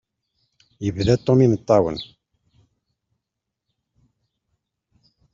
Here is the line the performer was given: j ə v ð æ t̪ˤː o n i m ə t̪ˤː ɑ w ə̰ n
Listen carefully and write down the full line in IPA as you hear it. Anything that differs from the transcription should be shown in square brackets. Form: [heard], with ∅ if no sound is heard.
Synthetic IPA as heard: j ə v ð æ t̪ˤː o [m] i [n] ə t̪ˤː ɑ w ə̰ n